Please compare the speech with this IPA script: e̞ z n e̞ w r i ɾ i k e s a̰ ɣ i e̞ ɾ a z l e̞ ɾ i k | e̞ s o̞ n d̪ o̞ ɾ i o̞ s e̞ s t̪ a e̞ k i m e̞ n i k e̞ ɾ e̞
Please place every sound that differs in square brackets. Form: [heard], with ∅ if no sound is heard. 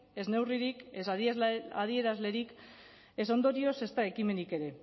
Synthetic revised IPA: e̞ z n e̞ w r i ɾ i k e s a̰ [ð] i e̞ ɾ a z l e̞ ɾ i k | e̞ s o̞ n d̪ o̞ ɾ i o̞ s e̞ s t̪ a e̞ k i m e̞ n i k e̞ ɾ e̞